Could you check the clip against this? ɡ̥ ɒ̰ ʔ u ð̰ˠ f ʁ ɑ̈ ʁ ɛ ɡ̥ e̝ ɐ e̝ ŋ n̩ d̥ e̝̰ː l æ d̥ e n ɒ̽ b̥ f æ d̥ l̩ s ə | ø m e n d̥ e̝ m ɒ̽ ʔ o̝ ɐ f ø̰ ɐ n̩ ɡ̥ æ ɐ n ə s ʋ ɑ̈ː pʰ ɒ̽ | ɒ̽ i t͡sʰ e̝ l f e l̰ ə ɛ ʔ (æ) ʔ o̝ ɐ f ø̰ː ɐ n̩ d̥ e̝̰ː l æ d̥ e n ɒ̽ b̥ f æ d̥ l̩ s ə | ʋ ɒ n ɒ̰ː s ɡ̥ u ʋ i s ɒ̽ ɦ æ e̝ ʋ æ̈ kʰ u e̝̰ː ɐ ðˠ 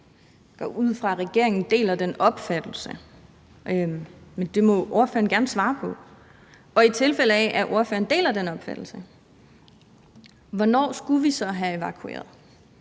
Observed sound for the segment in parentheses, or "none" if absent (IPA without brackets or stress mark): æ